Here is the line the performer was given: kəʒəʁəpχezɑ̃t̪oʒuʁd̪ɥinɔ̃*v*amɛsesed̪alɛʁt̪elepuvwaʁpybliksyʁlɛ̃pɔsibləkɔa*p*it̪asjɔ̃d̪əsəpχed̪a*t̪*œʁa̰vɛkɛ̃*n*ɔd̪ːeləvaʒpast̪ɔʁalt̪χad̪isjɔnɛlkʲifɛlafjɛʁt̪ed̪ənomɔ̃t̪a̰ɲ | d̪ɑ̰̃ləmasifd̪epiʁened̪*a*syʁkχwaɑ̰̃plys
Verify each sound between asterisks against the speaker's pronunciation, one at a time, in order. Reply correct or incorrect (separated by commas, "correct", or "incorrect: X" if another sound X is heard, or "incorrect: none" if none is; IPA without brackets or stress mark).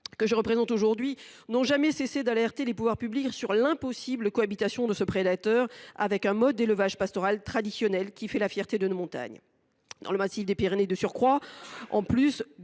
incorrect: ʒ, incorrect: b, correct, incorrect: m, incorrect: ə